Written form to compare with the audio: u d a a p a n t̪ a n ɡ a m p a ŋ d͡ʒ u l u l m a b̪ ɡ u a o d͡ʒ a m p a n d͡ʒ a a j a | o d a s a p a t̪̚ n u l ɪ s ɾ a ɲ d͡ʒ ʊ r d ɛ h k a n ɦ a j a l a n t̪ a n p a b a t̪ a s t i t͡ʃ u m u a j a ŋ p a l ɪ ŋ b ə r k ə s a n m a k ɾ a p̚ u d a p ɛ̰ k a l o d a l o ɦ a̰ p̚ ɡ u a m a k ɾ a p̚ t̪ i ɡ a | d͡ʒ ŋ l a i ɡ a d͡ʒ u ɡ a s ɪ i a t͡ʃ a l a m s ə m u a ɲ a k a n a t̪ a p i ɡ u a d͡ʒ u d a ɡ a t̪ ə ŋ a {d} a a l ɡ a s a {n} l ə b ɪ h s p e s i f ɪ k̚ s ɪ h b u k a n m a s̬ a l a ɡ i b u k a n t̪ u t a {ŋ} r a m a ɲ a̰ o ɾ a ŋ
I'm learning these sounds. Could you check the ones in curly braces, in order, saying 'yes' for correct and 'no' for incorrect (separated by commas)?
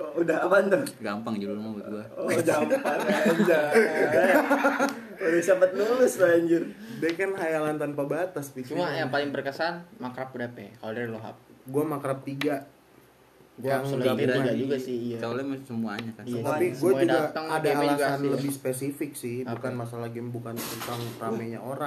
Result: yes, yes, yes